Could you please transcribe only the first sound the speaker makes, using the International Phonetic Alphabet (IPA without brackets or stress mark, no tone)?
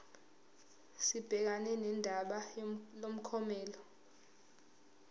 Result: s